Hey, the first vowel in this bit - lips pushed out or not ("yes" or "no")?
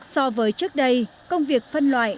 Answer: yes